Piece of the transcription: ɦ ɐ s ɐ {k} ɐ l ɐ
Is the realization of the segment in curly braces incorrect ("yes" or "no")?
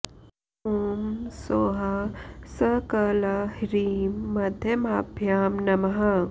no